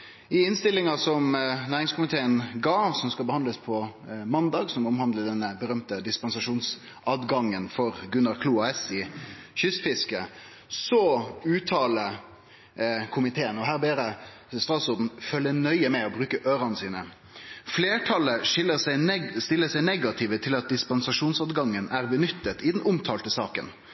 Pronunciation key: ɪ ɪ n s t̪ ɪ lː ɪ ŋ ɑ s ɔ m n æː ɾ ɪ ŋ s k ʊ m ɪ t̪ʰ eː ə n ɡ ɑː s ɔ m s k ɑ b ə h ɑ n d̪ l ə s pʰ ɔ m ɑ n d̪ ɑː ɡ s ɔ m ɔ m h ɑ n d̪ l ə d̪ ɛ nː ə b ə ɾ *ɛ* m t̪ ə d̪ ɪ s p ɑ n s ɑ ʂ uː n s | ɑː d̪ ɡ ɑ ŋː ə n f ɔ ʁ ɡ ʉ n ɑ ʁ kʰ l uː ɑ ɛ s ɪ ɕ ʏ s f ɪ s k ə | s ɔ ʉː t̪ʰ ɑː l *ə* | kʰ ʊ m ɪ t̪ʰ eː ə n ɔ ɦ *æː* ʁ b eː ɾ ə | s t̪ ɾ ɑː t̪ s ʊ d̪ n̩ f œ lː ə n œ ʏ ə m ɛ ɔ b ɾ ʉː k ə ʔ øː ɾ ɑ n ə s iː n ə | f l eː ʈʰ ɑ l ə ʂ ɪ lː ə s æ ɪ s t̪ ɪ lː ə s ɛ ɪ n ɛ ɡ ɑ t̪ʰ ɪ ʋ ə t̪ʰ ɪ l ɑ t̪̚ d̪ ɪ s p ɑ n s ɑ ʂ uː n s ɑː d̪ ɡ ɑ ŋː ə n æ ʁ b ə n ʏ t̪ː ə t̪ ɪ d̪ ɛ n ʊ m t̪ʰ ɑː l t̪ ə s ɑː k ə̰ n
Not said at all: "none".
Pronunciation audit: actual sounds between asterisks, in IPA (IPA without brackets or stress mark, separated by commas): œ, ə, æː